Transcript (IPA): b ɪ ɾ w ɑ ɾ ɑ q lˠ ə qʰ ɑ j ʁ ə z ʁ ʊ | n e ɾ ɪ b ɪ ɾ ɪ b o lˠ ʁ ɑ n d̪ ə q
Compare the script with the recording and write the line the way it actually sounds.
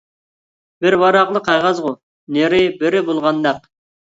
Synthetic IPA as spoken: b ɪ ɾ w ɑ ɾ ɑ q lˠ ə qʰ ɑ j ʁ ɑ z ʁ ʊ | n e ɾ ɪ b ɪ ɾ ɪ b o lˠ ʁ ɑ n d̪ ɑ q